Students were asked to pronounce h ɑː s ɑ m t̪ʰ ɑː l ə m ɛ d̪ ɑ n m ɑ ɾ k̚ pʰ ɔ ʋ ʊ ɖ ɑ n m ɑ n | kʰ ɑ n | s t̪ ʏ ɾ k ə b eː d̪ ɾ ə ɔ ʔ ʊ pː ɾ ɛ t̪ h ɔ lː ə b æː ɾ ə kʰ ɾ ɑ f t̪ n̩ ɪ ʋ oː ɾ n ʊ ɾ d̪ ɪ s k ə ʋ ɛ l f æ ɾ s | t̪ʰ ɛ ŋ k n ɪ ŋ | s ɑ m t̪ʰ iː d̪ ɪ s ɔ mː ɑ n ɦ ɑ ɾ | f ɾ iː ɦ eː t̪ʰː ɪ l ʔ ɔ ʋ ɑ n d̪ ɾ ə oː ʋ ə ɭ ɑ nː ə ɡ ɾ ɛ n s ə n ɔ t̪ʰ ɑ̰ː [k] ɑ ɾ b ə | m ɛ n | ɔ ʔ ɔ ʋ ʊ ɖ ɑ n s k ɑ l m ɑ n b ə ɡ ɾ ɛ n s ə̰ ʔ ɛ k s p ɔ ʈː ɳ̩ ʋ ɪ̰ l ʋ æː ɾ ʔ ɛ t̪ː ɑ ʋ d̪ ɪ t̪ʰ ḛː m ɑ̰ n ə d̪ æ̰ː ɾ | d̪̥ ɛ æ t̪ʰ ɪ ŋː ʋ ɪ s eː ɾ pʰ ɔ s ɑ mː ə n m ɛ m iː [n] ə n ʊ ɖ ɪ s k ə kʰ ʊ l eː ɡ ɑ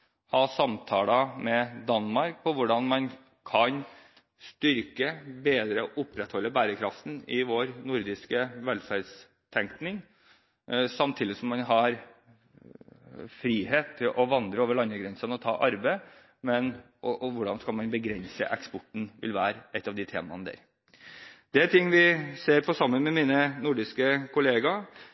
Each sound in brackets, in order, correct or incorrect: incorrect: ʔ, correct

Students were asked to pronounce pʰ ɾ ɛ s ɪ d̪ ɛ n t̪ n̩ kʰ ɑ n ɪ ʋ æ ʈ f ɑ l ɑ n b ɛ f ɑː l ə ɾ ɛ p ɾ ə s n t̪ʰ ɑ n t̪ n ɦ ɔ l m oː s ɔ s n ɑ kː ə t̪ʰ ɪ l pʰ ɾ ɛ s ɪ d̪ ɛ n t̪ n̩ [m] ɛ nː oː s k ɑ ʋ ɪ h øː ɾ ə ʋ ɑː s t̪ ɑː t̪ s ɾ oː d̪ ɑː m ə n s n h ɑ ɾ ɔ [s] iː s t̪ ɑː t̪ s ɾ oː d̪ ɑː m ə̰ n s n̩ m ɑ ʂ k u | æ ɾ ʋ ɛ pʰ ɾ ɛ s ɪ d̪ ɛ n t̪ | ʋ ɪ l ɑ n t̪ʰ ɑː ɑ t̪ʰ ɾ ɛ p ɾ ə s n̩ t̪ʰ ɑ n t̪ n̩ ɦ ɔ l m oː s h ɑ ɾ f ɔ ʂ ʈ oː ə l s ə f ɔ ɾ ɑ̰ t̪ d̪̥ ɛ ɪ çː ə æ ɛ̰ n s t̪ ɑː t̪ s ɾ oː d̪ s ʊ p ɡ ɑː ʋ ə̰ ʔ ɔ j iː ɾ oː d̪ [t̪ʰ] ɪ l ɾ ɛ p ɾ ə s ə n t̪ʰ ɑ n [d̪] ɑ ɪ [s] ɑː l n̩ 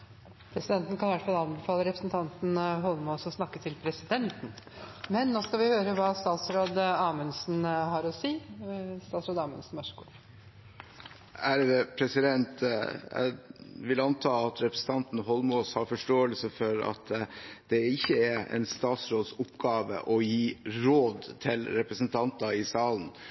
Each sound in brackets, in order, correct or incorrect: correct, correct, correct, incorrect: t̪, correct

